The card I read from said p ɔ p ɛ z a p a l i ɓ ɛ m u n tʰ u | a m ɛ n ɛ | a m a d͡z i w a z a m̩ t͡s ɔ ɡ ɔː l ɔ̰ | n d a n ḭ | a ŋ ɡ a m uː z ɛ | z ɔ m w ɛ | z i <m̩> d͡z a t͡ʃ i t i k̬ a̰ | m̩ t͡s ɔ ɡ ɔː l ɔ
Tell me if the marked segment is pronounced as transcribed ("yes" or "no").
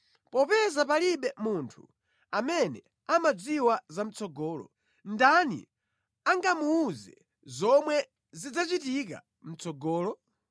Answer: no